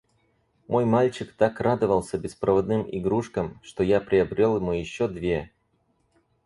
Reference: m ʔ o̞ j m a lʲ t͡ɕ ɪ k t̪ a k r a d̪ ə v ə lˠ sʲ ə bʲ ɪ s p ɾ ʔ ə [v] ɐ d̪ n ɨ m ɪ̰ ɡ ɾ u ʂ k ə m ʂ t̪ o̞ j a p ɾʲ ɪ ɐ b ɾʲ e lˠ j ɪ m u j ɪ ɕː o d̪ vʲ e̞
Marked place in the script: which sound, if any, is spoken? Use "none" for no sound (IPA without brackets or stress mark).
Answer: v